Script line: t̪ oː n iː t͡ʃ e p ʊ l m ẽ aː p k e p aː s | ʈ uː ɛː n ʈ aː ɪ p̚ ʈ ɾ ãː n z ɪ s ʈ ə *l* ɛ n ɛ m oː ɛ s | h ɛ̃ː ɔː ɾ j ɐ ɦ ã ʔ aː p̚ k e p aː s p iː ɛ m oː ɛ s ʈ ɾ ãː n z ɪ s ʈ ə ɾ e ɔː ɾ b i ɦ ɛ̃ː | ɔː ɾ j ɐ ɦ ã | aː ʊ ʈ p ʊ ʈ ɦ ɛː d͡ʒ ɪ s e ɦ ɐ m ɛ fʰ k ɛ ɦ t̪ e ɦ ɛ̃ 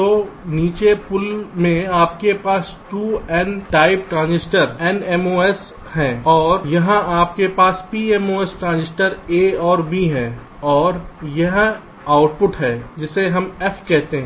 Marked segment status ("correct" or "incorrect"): incorrect